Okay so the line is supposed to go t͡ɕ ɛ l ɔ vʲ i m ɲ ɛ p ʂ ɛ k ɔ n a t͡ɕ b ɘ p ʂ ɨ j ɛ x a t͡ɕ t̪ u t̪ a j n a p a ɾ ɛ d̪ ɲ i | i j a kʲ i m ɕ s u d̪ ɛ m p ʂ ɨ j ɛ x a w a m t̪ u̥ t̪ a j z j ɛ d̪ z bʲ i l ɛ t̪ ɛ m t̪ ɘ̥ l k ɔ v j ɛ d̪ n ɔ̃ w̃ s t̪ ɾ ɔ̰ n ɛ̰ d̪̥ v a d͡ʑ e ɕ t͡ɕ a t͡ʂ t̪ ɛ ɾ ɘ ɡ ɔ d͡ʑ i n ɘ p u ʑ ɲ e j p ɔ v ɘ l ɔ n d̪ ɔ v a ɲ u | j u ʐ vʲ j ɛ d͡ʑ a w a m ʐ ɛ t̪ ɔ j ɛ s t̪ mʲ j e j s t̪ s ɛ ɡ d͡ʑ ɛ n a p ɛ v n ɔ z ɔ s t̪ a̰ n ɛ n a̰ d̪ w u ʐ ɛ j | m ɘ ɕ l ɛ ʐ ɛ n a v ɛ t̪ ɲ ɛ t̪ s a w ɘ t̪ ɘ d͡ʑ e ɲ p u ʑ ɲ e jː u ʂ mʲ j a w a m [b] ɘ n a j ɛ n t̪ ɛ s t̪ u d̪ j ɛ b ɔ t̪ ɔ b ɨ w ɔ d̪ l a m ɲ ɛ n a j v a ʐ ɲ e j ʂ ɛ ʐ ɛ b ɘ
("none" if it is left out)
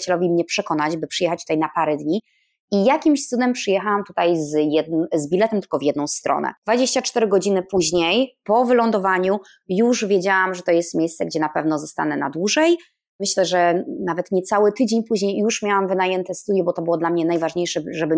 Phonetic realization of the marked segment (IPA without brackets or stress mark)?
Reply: v